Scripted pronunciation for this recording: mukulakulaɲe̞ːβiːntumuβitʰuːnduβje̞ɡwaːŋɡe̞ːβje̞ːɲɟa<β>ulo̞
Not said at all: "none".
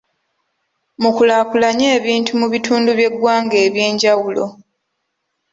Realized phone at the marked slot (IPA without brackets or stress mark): w